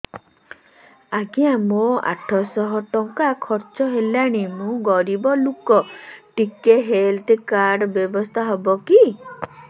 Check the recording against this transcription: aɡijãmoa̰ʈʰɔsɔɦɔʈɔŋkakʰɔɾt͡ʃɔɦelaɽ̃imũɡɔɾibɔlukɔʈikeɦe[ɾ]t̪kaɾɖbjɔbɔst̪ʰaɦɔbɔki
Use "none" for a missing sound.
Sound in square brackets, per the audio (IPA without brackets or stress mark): l